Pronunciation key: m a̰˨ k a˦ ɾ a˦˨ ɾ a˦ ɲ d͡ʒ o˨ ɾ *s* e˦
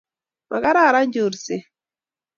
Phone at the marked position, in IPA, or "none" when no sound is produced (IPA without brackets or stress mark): s